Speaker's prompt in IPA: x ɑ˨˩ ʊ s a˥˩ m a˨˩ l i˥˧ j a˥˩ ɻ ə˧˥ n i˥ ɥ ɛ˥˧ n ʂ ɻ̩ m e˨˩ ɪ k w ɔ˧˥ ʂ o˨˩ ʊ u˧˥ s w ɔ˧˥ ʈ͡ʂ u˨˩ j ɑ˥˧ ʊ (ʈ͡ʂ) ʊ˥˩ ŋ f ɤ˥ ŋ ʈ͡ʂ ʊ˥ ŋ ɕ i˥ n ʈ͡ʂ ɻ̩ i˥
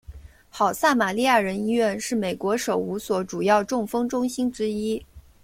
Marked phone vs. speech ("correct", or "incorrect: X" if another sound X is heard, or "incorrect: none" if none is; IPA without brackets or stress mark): correct